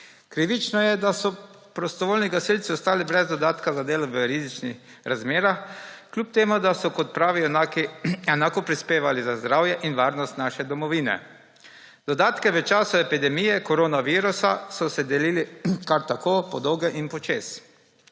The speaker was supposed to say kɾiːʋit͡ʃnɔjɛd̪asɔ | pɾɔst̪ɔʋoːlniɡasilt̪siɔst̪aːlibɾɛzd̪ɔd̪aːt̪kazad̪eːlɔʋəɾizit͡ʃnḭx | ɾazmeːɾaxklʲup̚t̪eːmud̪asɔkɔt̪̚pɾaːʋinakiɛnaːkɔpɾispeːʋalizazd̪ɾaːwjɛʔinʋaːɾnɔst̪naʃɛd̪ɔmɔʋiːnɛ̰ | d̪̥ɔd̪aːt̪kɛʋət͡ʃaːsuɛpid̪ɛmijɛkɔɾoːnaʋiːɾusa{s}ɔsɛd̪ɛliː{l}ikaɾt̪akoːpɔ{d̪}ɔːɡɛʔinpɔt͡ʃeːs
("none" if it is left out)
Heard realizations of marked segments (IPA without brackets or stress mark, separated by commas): s, l, d̪